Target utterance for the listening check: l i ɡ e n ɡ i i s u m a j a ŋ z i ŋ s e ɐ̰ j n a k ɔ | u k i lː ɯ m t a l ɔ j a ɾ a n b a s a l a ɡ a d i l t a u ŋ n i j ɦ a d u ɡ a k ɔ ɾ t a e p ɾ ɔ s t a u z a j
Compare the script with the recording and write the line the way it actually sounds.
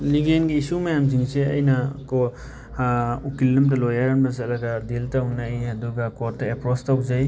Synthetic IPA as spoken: l i ɡ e n ɡ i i s u m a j a m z i ŋ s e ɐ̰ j n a k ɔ | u k i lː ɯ m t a l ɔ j a ɾ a n b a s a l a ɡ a d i l t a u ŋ n a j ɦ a d u ɡ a k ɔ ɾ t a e p ɾ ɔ s t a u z a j